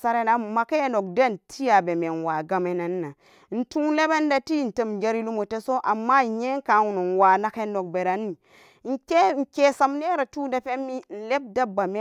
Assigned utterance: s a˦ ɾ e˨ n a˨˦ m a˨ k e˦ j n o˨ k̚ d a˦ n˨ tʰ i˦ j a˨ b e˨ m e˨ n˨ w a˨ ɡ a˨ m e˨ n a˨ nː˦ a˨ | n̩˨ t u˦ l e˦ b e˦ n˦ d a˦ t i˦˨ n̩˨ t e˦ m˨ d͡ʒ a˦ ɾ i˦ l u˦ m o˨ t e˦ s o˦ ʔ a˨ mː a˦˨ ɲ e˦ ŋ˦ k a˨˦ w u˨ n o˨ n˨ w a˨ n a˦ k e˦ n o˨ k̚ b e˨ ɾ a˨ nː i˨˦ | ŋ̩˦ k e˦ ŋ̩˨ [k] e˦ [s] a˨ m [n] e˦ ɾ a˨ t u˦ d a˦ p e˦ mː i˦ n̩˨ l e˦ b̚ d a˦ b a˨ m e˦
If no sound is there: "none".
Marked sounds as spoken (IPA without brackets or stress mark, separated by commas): k, s, n